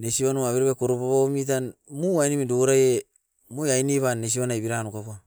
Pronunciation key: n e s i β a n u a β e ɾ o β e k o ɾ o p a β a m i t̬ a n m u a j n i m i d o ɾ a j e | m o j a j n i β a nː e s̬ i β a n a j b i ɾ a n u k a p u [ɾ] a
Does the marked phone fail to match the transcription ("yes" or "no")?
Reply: yes